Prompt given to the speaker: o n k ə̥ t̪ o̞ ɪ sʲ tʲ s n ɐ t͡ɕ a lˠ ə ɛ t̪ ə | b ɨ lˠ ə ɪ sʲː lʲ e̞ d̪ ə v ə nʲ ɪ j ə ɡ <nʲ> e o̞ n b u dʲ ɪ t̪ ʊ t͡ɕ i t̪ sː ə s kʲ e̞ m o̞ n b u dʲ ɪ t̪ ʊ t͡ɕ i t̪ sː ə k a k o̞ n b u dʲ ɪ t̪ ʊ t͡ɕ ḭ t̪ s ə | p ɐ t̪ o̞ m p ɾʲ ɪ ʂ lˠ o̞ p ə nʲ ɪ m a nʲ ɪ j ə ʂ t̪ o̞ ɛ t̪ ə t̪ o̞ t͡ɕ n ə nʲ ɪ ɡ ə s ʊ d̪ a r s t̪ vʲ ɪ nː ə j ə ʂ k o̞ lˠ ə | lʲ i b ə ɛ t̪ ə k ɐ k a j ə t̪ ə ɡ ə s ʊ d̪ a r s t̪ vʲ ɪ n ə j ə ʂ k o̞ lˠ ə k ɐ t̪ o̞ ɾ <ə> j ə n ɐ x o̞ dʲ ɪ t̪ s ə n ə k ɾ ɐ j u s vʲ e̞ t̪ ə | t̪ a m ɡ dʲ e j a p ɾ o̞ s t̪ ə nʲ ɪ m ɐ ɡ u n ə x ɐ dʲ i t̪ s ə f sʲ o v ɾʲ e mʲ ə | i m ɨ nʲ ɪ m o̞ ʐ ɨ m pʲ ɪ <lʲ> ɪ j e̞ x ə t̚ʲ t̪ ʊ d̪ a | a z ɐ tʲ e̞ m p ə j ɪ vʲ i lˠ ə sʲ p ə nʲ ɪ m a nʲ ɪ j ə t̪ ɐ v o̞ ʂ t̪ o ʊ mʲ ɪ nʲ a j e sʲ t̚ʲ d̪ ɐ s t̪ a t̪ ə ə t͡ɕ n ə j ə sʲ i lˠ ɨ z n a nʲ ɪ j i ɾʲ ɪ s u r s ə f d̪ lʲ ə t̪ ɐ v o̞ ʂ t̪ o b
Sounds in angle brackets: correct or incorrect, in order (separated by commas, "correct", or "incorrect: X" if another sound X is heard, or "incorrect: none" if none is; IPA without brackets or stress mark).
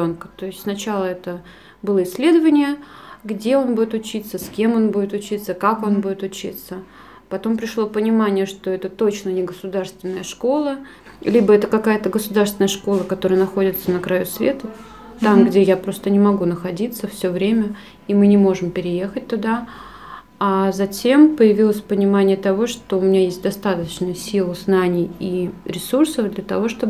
incorrect: dʲ, correct, incorrect: ɾʲ